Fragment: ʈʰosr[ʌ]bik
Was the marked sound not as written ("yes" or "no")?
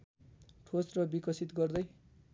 no